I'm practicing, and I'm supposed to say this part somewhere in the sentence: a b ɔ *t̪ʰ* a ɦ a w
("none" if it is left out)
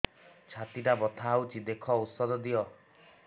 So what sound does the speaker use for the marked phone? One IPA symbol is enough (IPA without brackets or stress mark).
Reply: t̪ʰ